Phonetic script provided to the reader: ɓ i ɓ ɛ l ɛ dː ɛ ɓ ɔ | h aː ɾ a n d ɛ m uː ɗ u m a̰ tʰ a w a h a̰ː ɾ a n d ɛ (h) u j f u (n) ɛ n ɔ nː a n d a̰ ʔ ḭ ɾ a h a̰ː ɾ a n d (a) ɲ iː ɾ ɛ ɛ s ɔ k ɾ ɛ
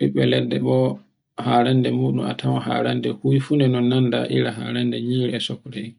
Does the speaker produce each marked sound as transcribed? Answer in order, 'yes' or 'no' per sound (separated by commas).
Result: yes, yes, no